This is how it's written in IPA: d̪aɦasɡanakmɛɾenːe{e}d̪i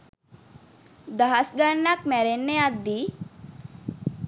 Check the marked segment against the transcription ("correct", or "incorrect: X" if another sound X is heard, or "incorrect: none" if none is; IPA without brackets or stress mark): incorrect: a